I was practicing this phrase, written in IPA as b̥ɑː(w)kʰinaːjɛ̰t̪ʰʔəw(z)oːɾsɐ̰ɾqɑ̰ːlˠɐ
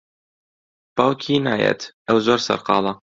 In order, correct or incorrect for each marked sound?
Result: correct, correct

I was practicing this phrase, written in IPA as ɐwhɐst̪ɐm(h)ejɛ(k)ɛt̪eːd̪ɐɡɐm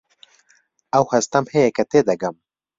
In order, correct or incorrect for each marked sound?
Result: correct, correct

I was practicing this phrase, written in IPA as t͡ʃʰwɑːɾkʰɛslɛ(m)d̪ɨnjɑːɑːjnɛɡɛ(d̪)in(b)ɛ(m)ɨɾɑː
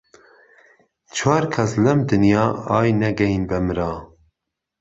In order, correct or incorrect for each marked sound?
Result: correct, incorrect: none, correct, correct

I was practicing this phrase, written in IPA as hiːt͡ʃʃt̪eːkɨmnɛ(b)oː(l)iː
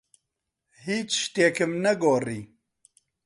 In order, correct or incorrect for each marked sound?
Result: incorrect: ɡ, incorrect: r

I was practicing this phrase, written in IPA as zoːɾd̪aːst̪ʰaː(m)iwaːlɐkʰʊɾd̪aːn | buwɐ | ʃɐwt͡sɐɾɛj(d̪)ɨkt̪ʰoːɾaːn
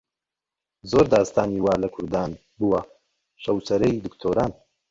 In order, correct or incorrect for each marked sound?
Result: incorrect: n, correct

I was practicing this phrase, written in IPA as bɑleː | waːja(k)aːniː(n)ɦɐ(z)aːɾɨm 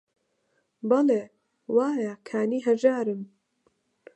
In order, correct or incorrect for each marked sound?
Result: incorrect: kʰ, incorrect: none, incorrect: ʒ

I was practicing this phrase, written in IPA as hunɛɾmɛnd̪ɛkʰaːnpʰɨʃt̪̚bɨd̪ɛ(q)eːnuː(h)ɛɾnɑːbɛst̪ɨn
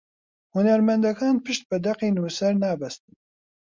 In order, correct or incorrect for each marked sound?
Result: correct, incorrect: s

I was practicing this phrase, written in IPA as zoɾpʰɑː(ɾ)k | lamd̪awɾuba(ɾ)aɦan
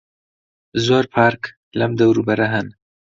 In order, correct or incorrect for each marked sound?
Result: correct, correct

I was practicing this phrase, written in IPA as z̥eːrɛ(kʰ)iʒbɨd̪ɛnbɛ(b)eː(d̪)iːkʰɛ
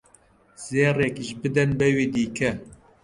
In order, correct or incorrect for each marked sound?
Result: incorrect: k, incorrect: w, correct

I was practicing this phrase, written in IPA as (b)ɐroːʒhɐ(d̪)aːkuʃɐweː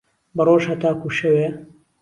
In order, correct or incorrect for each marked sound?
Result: correct, incorrect: t̪

